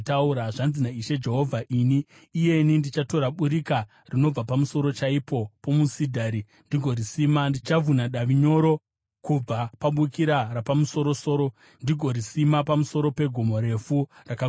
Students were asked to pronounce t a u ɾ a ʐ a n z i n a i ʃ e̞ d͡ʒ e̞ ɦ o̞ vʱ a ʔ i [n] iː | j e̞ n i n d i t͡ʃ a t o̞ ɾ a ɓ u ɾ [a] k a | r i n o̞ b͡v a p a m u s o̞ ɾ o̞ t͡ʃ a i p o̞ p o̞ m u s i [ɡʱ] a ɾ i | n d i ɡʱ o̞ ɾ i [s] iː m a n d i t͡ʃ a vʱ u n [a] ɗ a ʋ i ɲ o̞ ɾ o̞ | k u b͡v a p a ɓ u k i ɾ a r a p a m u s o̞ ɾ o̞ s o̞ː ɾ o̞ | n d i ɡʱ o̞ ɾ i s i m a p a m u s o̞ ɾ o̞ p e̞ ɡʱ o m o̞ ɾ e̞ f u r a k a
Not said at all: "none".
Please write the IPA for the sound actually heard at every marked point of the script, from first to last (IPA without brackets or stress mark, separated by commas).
n, i, dʱ, s, a